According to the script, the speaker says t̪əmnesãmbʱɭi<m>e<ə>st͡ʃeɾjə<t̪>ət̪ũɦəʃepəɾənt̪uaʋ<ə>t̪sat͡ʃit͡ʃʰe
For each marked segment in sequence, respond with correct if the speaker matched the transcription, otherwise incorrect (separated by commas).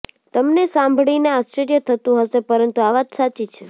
incorrect, incorrect, incorrect, incorrect